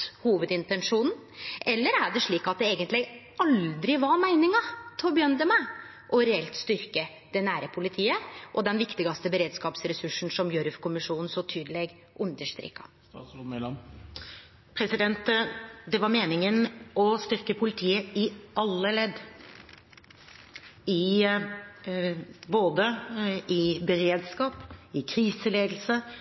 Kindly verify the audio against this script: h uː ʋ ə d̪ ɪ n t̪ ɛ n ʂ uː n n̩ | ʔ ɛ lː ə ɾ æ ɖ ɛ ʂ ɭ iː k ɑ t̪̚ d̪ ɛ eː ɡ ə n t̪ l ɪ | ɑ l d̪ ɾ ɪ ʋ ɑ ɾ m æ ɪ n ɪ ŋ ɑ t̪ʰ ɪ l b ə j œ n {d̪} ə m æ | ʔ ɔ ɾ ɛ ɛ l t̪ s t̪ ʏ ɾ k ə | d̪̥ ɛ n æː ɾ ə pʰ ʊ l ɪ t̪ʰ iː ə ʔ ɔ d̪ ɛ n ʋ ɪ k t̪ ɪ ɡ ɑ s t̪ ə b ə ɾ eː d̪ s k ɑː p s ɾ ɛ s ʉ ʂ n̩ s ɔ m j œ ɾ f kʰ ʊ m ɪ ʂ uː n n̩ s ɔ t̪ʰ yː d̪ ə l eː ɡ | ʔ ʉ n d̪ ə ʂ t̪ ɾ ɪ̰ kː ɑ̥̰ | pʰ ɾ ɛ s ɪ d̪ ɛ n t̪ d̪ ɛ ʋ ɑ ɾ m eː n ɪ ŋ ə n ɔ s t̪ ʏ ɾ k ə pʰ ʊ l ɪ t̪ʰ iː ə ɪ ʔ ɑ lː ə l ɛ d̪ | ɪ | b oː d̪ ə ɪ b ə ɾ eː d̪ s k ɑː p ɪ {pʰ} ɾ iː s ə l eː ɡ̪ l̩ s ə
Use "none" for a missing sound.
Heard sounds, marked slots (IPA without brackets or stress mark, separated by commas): d̪, kʰ